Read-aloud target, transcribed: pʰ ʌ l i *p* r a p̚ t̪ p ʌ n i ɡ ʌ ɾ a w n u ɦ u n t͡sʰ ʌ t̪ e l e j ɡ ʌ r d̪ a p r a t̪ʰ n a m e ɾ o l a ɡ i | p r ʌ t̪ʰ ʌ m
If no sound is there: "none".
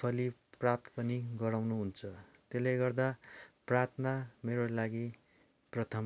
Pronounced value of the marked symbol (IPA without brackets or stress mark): p